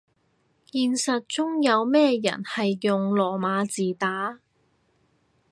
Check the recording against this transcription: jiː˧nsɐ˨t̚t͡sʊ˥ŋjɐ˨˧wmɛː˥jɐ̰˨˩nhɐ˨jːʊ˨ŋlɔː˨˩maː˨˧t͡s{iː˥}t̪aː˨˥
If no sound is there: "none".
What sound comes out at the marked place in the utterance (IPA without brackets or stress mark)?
iː˨